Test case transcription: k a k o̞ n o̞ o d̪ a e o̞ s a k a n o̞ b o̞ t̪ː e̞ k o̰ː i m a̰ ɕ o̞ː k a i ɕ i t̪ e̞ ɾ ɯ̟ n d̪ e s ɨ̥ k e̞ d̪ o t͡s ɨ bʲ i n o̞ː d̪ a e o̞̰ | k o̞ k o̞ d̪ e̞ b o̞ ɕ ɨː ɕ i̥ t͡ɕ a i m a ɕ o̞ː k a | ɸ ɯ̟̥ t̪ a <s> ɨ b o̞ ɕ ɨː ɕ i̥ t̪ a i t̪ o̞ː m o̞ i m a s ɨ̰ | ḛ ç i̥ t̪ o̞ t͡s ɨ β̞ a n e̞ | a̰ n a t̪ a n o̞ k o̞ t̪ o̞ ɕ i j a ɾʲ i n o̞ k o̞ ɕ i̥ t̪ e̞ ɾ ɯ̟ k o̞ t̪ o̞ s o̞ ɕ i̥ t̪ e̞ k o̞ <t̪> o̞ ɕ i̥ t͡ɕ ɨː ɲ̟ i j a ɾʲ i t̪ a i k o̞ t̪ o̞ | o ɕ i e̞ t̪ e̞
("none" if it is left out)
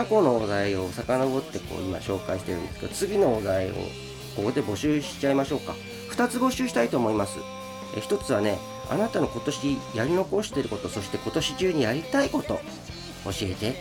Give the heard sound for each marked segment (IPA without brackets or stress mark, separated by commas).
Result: t͡s, t̪